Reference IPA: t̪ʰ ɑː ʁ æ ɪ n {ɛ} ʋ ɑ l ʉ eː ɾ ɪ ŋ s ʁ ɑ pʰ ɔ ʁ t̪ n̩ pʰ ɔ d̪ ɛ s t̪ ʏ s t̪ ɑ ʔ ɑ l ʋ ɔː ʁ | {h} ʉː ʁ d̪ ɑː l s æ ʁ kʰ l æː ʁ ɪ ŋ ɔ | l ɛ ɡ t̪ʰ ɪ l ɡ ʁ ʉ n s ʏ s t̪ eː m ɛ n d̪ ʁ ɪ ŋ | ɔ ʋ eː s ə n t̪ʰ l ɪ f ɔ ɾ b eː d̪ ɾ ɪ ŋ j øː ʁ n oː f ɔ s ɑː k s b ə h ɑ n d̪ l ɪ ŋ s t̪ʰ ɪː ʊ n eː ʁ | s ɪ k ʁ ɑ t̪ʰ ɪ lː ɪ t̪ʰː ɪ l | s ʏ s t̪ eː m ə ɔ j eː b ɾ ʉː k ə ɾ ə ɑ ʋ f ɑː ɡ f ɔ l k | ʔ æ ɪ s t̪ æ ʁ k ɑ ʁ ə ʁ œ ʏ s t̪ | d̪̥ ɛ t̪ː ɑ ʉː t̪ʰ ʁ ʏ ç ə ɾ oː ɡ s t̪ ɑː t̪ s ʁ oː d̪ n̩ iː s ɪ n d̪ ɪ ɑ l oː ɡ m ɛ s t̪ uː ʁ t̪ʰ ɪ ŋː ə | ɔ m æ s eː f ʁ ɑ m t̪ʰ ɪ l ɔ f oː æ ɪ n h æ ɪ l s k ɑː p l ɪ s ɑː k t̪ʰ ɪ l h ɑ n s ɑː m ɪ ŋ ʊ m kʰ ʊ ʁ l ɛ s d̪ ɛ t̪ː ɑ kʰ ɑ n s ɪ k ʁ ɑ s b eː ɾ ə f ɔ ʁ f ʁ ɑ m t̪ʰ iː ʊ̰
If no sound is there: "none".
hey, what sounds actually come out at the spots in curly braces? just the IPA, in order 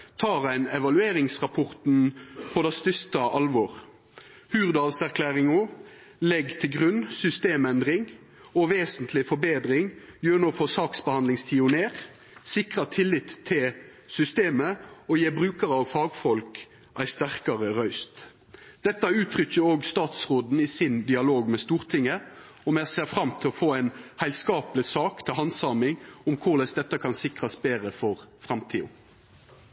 ɛ, h

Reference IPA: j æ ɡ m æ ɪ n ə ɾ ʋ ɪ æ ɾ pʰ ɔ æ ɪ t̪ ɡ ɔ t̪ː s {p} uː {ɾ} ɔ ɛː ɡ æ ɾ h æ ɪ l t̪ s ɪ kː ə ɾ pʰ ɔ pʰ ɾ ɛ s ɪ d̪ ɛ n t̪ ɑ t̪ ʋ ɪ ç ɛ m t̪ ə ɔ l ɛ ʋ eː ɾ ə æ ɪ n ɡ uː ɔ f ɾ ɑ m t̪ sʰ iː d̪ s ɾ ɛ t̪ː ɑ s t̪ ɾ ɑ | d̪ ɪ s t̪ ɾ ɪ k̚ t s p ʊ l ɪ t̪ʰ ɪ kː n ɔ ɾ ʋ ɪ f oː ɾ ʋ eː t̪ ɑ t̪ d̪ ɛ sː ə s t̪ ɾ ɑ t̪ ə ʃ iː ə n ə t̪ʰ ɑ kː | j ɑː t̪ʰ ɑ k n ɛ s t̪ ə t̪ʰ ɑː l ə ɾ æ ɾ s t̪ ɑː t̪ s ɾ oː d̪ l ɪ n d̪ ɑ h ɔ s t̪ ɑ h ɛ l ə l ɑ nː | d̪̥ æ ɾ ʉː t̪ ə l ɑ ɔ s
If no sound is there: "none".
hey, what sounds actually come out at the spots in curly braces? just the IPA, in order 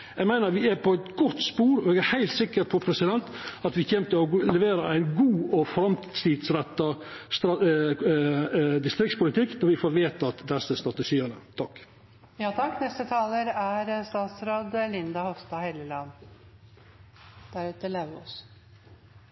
p, ɾ

